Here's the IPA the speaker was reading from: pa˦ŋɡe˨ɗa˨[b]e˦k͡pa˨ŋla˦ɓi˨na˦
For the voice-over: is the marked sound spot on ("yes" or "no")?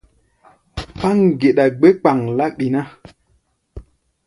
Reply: no